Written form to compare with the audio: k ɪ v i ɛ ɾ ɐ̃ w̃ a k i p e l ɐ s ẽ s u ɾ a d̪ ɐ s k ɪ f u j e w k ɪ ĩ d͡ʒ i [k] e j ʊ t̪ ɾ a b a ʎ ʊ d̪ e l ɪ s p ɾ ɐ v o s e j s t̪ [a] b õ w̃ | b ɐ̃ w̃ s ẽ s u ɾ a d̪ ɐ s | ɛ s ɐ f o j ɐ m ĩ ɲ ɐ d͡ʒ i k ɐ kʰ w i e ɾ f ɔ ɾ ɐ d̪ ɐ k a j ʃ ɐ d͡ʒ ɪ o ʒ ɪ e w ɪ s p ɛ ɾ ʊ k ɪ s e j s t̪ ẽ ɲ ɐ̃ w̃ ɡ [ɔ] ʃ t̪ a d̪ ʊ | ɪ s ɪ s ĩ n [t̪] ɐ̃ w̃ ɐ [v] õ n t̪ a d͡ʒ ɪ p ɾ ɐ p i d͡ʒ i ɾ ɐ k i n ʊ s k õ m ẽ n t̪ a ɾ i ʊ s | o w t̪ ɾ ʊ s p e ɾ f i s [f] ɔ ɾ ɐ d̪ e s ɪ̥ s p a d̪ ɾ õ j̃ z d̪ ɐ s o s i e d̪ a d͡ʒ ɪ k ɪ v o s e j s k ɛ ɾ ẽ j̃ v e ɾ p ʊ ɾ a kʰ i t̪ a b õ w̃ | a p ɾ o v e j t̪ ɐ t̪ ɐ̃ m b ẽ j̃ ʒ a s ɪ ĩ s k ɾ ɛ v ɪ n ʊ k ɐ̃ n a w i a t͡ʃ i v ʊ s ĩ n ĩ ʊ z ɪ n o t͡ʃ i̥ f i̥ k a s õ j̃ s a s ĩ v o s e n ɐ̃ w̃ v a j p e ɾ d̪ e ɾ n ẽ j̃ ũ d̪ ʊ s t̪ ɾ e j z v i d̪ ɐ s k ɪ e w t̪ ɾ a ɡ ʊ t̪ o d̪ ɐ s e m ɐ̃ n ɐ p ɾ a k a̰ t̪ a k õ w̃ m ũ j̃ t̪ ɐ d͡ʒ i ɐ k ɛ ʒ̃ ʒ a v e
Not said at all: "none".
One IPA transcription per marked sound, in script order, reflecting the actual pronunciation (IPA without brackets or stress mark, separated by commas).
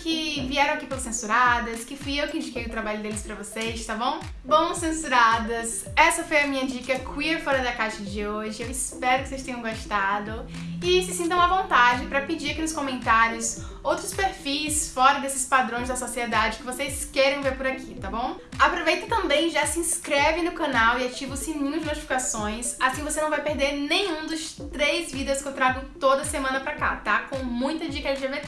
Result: k, a, o, t̪, v, f